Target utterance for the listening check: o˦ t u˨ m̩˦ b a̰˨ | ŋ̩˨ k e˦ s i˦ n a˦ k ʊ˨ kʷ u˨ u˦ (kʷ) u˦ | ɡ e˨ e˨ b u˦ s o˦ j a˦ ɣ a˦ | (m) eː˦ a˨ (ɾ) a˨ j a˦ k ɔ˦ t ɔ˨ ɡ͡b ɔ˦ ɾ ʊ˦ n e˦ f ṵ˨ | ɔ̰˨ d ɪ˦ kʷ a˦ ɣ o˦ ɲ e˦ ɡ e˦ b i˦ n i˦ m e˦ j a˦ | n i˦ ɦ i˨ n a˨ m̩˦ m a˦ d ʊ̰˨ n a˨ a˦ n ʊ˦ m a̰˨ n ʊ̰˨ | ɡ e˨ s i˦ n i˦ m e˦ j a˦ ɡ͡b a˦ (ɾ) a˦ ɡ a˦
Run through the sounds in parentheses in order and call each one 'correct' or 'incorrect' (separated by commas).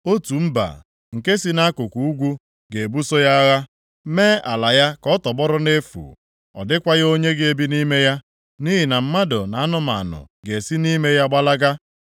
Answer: incorrect, correct, incorrect, incorrect